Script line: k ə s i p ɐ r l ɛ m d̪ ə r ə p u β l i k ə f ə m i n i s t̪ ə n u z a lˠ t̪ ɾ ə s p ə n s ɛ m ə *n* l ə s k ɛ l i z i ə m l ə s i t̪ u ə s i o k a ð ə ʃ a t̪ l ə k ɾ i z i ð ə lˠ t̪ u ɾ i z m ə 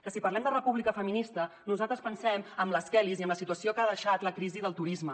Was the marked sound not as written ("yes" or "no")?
yes